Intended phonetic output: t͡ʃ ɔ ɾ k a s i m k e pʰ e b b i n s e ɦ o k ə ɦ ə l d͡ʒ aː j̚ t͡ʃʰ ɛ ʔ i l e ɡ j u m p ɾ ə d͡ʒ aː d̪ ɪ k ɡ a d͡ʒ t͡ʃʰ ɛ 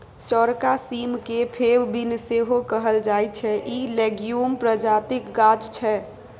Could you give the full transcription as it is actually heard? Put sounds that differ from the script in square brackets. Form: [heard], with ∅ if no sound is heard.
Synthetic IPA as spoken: t͡ʃ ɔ ɾ k a s i m k e pʰ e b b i n s e ɦ o k ə ɦ ə l d͡ʒ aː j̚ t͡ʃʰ ɛ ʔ i l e ɡ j u m p ɾ ə d͡ʒ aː [t̪] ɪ k ɡ a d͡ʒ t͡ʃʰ ɛ